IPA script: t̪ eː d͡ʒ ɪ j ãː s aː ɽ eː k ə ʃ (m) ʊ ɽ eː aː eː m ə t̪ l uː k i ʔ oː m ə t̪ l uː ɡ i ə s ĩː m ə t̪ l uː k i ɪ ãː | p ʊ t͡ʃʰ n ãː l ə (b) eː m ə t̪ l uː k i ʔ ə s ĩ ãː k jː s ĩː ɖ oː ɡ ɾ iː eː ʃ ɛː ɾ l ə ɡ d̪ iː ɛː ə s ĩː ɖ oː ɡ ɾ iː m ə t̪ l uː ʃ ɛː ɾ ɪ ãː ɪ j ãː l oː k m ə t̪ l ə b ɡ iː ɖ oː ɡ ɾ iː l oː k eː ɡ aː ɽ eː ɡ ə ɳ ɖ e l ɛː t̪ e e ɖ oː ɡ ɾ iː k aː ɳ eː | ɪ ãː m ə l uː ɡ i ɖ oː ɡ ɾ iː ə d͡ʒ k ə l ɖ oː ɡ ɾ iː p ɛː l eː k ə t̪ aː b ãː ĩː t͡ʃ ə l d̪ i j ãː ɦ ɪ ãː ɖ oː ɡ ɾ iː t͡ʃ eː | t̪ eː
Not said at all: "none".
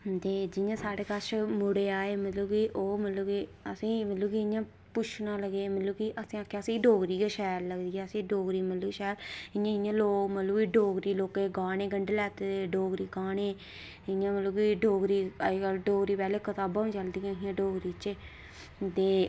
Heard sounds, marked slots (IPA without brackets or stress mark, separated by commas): m, ɡ